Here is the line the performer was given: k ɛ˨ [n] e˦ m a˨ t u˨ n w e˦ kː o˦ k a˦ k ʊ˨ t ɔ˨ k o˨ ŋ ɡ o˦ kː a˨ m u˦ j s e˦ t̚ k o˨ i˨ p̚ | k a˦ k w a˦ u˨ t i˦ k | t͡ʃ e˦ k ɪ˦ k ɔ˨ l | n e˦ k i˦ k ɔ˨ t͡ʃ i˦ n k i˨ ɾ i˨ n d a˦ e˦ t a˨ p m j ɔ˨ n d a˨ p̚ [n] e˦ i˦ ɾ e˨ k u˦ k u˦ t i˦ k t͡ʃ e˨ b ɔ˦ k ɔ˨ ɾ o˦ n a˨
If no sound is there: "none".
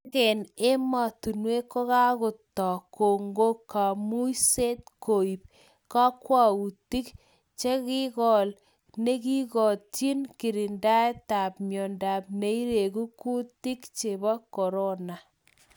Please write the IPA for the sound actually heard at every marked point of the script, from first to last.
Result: n, n

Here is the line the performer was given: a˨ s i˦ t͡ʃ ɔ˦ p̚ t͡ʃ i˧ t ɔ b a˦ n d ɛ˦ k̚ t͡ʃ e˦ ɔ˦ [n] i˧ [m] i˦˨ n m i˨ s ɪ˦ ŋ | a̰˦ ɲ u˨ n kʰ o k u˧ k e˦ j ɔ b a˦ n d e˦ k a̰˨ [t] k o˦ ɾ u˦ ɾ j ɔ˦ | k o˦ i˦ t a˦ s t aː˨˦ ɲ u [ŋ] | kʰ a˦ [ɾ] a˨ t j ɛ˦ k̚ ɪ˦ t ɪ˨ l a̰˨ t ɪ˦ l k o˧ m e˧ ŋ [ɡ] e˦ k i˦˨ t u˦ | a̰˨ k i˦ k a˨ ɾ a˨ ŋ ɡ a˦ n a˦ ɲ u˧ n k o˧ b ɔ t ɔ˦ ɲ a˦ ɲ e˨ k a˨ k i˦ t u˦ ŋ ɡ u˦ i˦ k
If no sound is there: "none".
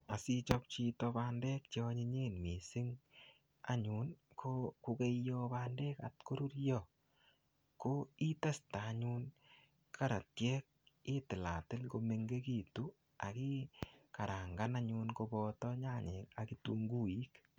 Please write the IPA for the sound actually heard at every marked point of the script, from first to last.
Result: ɲ, ɲ, t, n, ɾ, ɡ

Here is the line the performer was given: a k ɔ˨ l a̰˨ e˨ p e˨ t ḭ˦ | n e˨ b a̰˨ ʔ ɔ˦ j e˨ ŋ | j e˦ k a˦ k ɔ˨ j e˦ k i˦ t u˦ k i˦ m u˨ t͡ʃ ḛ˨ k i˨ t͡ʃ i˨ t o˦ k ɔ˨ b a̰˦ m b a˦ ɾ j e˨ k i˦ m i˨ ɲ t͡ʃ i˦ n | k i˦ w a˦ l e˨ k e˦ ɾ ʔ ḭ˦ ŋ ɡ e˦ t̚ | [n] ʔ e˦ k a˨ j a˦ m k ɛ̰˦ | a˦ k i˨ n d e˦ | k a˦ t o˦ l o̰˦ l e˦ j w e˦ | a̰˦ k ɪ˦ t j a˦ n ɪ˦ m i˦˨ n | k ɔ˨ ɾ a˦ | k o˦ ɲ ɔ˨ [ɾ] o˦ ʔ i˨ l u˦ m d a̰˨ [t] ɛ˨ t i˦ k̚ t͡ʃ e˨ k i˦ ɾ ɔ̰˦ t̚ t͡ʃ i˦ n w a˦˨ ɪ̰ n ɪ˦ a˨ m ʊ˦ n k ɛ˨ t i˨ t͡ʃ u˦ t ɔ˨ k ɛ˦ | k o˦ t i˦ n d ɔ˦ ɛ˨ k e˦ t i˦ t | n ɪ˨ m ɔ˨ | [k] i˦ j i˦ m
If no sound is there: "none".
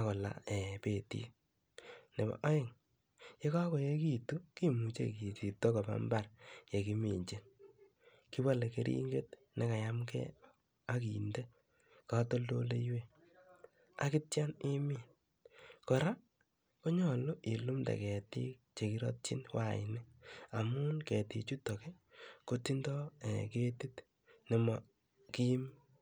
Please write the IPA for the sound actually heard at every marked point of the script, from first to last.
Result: n, l, k, k

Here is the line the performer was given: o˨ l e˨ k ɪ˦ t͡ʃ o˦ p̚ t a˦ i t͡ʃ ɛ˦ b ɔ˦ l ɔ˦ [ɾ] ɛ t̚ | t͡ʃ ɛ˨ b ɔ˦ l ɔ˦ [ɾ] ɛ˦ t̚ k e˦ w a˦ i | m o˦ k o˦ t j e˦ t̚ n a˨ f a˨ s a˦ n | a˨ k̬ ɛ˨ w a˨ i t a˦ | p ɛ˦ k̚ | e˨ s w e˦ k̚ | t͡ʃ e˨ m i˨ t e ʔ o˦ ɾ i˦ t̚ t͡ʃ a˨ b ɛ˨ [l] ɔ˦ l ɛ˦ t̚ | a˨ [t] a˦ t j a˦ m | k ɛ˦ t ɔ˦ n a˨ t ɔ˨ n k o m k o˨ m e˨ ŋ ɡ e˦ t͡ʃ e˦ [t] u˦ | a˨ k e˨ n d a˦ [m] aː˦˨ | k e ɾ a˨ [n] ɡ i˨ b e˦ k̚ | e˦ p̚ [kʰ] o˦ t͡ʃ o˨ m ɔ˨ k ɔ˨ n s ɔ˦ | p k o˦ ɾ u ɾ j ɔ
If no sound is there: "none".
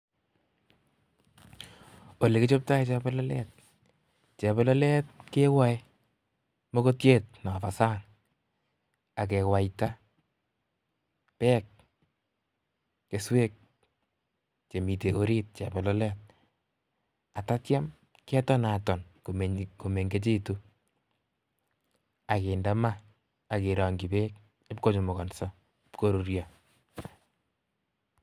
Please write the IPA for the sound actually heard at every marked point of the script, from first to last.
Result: l, l, l, t, t, m, ŋ, k

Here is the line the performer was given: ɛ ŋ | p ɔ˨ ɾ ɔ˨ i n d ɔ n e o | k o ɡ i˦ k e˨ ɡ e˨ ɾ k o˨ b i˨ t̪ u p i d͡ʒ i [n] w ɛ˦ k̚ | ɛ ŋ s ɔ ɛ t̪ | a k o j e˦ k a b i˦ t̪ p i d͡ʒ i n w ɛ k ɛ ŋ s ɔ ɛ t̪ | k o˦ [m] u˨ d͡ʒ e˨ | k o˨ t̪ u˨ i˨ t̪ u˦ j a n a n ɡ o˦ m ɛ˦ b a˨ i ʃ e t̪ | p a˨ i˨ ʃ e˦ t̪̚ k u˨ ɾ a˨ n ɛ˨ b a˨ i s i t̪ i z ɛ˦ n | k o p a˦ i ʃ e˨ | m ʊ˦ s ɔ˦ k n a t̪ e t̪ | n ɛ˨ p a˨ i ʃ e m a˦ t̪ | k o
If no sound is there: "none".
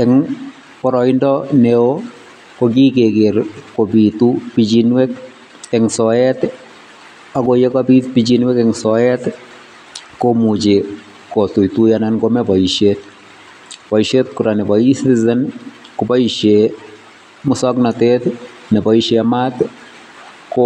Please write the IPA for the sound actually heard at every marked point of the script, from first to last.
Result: n, m

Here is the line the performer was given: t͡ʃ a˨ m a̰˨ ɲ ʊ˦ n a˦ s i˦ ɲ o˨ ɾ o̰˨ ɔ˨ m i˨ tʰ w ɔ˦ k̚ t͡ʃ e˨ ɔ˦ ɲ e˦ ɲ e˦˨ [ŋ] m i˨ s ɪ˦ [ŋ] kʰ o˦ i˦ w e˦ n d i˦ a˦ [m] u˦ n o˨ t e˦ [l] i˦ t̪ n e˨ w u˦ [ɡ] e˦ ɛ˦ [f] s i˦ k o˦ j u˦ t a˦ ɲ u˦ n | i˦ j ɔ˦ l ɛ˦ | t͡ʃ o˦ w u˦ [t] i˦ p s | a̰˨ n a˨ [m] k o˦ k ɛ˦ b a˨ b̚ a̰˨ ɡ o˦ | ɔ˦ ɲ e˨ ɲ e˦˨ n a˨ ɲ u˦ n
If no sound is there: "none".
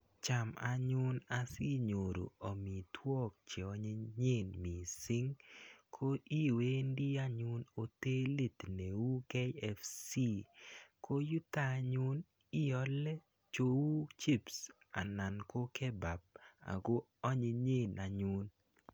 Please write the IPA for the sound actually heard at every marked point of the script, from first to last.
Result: n, ŋ, ɲ, l, k, f, t͡ʃ, n

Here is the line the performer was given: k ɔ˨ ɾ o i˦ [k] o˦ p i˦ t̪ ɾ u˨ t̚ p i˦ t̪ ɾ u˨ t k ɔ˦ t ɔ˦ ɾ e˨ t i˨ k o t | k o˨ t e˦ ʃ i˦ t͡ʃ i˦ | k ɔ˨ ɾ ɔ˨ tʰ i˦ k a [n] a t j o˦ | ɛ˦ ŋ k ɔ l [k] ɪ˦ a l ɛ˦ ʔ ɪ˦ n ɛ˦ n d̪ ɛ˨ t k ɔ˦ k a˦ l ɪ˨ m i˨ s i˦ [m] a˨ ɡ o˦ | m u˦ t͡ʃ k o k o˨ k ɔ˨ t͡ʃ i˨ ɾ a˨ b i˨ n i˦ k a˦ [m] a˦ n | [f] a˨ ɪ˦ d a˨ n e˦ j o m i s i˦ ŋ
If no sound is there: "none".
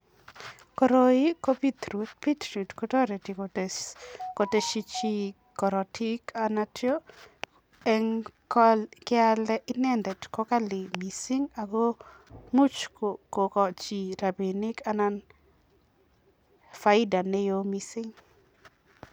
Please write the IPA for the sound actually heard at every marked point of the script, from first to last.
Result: k, n, k, ŋ, n, f

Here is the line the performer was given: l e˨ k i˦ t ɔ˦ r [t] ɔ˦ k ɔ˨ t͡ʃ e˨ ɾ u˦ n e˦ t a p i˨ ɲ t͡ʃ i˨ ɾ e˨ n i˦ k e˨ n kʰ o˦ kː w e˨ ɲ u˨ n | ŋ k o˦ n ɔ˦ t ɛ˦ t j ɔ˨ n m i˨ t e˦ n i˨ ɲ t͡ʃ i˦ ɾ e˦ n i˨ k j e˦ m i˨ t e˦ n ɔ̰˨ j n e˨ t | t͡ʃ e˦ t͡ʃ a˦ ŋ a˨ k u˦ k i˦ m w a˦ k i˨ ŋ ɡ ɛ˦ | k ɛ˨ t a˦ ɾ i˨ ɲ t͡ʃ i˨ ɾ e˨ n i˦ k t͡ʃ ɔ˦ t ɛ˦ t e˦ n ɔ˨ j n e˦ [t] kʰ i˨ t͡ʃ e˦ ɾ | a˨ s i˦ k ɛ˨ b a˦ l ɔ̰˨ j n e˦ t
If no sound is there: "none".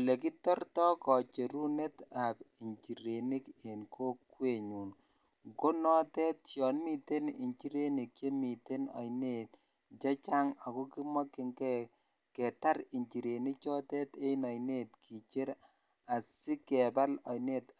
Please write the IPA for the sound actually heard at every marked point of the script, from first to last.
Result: t, t

